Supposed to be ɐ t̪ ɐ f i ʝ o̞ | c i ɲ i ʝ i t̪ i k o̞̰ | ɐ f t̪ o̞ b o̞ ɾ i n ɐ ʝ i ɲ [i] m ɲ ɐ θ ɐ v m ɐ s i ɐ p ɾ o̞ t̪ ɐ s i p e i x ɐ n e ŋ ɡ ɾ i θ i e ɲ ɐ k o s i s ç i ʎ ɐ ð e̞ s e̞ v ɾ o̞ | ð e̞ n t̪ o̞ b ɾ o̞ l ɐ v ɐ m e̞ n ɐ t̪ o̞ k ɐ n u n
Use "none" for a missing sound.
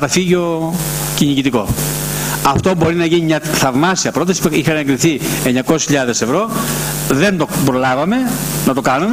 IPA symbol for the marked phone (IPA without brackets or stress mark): i